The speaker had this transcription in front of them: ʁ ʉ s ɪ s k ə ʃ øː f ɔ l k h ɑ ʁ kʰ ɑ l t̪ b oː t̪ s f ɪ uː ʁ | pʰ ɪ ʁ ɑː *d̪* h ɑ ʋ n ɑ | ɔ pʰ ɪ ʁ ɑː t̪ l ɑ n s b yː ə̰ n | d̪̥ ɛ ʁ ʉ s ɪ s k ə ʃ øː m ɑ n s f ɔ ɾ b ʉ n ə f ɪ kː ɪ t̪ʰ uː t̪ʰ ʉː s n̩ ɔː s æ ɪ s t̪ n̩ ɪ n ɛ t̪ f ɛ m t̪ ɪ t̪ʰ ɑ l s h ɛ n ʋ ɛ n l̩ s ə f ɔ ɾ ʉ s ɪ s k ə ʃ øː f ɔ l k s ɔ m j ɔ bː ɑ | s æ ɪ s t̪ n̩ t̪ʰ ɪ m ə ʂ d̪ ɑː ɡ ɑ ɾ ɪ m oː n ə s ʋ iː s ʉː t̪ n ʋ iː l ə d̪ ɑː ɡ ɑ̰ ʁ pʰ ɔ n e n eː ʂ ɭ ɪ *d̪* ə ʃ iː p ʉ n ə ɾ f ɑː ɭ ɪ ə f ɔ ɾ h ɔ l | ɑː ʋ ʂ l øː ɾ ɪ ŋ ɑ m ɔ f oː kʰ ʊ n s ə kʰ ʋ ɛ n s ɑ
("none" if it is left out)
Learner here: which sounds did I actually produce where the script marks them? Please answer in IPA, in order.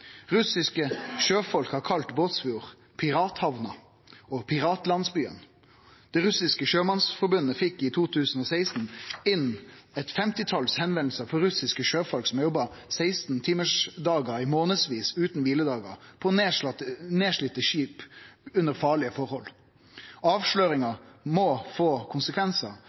t̪, t̪

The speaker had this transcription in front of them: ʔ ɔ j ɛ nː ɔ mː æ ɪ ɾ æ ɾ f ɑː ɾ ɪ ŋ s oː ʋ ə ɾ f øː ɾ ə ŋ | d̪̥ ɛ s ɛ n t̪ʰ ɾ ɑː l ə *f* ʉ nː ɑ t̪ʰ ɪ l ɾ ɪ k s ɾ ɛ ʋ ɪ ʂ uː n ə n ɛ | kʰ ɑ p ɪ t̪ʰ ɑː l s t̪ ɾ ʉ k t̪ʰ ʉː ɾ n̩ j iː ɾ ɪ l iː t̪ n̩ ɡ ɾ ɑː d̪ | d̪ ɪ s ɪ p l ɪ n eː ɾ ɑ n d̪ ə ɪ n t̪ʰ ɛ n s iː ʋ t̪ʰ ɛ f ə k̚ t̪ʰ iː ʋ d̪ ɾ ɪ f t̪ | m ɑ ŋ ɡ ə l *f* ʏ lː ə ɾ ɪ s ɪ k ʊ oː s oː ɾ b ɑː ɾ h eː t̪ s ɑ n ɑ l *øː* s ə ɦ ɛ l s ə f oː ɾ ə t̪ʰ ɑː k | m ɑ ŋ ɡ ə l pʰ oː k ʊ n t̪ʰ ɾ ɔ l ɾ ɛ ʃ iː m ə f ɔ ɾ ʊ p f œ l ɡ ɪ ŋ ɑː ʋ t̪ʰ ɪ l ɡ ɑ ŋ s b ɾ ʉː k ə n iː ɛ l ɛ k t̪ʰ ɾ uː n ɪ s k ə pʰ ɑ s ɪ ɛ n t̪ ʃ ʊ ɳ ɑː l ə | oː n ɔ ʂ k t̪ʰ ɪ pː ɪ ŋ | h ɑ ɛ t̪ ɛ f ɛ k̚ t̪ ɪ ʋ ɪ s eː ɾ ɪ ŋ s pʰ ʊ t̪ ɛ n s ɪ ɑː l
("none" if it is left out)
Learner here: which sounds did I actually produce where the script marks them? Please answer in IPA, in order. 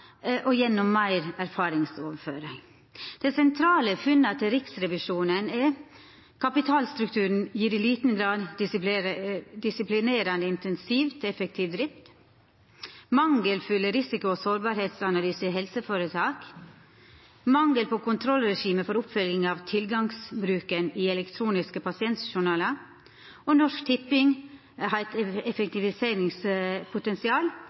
f, f, yː

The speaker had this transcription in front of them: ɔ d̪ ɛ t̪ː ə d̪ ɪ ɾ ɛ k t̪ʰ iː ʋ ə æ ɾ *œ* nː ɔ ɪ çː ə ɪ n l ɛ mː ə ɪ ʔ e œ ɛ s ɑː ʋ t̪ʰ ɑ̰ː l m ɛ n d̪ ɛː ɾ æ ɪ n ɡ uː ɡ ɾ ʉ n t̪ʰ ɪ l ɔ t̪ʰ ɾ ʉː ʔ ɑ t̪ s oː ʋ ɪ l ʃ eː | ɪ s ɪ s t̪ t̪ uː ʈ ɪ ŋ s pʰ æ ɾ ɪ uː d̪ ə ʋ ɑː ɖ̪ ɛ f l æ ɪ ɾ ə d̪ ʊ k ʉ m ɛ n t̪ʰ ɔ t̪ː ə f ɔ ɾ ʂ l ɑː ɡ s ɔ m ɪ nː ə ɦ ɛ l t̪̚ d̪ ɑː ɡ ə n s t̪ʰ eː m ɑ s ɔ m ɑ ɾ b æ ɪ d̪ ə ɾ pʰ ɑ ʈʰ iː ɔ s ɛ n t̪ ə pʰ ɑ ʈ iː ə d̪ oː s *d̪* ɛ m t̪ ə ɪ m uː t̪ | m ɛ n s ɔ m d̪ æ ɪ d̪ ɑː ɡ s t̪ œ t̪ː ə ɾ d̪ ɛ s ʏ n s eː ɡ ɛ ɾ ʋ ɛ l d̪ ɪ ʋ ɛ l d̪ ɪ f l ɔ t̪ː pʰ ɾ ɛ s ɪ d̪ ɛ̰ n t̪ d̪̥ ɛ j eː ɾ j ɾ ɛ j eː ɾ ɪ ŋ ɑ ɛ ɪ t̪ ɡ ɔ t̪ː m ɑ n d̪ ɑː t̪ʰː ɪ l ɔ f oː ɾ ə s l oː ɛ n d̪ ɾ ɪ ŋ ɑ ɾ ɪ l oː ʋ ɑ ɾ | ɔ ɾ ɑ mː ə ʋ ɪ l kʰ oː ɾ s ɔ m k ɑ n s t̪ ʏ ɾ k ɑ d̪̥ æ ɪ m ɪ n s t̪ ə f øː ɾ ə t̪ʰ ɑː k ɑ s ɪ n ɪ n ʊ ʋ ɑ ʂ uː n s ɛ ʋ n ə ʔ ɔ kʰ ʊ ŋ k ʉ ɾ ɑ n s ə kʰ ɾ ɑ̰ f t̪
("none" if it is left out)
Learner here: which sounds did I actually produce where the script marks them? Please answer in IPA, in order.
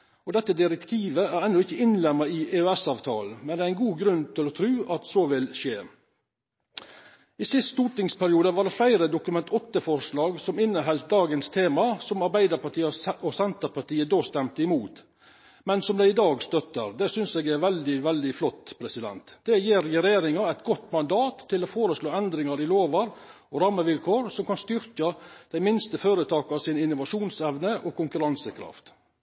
ɛ, t̪

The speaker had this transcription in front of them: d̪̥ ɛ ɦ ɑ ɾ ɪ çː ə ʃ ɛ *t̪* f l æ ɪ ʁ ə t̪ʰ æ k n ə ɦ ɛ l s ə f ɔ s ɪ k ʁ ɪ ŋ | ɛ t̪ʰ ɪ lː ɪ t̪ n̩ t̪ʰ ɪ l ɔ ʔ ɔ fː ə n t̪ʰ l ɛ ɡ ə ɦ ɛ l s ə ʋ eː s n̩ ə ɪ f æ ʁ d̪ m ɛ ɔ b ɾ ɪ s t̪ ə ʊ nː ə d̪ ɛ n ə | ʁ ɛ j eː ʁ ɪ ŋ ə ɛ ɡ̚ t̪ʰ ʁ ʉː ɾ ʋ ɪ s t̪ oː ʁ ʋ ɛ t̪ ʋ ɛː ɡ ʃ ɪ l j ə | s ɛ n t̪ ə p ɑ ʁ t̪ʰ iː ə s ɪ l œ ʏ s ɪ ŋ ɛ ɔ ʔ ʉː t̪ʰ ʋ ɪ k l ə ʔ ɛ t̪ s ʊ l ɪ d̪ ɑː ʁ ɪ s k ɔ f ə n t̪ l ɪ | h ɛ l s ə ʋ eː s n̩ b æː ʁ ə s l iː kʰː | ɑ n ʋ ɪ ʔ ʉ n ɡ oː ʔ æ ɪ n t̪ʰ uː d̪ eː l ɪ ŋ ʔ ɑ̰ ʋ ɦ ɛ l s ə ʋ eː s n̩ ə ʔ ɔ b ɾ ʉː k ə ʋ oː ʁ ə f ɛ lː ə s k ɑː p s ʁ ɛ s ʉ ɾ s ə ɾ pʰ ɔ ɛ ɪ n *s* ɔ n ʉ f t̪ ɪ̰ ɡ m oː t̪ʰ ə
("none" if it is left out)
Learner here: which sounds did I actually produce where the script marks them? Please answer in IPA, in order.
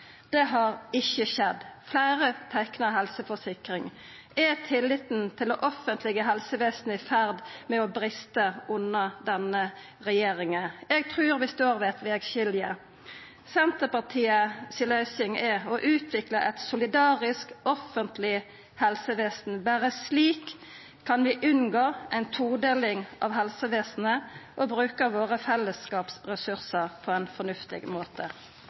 d̪, f

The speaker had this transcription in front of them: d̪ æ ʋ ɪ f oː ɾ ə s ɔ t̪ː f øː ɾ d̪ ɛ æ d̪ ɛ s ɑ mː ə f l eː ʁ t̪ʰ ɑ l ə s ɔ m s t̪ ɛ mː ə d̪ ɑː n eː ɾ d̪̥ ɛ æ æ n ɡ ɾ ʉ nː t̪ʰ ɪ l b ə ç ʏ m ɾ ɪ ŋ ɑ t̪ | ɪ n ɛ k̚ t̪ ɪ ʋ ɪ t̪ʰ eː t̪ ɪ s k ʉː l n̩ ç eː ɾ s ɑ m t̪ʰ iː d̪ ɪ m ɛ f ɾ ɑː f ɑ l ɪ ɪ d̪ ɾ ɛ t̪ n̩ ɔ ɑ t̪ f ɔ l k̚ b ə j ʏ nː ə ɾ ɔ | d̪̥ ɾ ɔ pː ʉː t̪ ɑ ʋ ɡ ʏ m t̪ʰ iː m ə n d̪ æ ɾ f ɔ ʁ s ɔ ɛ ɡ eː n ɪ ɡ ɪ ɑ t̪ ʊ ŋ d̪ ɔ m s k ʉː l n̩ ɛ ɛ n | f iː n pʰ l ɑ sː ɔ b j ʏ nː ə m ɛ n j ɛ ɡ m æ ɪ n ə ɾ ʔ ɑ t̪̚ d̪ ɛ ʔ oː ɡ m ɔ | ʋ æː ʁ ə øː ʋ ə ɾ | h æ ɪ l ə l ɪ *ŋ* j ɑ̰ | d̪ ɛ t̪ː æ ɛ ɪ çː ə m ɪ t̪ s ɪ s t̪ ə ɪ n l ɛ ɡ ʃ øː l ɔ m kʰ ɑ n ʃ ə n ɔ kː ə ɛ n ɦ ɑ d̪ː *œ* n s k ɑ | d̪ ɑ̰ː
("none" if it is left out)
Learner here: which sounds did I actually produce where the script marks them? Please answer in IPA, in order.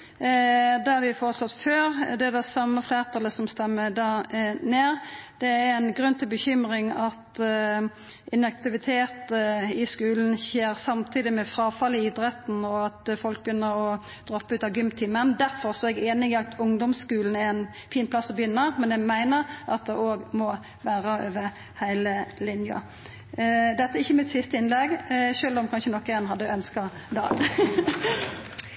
n, œ

